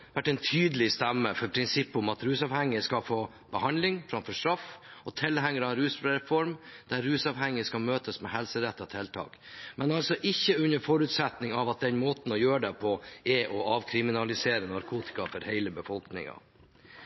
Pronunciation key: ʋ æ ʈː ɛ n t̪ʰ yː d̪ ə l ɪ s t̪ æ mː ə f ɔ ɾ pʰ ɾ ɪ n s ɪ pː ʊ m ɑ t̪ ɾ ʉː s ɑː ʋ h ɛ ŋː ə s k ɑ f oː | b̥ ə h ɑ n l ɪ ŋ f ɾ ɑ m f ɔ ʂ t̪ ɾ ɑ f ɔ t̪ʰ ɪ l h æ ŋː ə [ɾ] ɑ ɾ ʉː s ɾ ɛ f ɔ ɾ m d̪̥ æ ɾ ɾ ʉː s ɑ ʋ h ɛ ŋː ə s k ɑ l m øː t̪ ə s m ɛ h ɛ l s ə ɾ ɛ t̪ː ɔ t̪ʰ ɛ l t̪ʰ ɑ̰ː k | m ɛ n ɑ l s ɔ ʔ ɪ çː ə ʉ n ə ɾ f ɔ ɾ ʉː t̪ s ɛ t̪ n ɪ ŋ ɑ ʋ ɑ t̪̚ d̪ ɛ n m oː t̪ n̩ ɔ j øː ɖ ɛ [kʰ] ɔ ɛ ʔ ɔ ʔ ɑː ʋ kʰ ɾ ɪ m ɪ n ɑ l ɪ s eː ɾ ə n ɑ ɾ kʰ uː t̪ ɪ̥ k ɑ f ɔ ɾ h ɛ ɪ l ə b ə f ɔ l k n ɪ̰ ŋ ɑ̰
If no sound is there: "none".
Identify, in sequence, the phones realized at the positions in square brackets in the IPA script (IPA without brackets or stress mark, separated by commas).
ɾ, pʰ